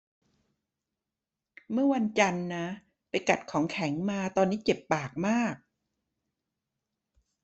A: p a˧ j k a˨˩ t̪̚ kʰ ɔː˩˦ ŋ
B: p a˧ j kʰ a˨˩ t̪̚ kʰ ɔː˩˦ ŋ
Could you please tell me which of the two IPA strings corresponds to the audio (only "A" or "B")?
A